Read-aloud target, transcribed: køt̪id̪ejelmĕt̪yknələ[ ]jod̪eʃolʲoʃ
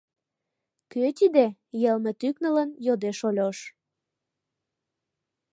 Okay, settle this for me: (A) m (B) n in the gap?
B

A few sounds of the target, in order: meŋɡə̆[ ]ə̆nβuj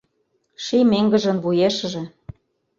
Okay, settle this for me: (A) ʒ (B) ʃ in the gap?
A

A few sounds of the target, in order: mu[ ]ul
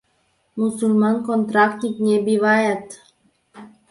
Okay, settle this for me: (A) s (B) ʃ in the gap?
A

